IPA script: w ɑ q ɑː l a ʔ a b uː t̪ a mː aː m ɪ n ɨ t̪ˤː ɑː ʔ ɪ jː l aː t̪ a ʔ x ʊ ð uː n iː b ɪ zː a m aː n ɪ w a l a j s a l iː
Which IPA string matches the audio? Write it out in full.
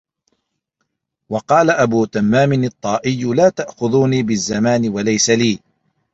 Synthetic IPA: w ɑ q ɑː l a ʔ a b uː t̪ a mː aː m ɪ n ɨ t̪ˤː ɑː ʔ ɪ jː l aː t̪ a ʔ x ʊ ð uː n iː b ɪ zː a m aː n ɪ w a l a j s a l iː